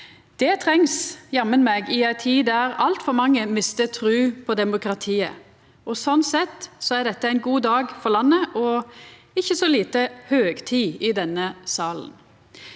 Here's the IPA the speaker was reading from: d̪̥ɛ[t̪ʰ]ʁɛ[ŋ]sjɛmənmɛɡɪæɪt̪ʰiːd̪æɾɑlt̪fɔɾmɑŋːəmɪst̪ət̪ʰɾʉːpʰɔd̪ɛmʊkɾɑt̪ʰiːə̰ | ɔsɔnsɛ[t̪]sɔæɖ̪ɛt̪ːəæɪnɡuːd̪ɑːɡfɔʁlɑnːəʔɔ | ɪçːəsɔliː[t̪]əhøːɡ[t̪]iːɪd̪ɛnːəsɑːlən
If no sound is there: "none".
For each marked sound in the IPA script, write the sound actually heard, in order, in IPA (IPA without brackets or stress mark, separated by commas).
t̪ʰ, ŋ, t̪, t̪, t̪ʰ